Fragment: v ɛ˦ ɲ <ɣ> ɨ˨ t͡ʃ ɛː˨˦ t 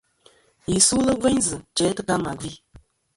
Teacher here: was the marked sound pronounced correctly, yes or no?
no